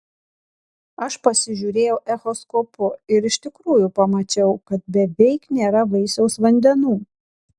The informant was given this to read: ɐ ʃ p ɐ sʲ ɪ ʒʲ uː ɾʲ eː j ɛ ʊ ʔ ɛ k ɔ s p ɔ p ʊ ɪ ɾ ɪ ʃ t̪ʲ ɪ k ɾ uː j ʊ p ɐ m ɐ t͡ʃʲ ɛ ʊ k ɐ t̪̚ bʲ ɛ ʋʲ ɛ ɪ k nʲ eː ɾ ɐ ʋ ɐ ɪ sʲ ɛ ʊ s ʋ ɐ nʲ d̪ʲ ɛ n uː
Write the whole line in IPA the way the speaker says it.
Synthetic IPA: ɐ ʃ p ɐ sʲ ɪ ʒʲ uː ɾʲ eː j ɛ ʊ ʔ ɛ x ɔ s k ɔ p ʊ ɪ ɾ ɪ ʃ t̪ʲ ɪ k ɾ uː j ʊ p ɐ m ɐ t͡ʃʲ ɛ ʊ k ɐ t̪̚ bʲ ɛ ʋʲ ɛ ɪ k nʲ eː ɾ ɐ ʋ ɐ ɪ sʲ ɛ ʊ s ʋ ɐ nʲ d̪ʲ ɛ n uː